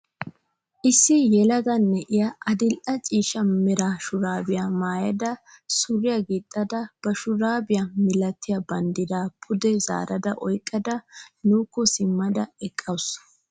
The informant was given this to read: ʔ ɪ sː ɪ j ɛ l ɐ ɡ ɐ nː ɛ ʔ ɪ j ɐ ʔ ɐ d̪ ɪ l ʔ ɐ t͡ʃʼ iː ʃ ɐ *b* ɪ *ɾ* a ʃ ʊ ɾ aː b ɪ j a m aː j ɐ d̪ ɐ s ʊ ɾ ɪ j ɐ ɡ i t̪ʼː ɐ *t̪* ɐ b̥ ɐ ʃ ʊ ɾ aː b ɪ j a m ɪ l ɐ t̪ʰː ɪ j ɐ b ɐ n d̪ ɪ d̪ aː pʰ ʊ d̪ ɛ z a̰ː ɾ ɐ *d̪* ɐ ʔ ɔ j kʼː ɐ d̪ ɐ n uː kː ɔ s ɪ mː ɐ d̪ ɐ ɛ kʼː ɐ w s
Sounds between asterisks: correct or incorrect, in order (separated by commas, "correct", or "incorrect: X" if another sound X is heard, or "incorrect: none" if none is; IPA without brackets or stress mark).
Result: incorrect: m, correct, incorrect: d̪, correct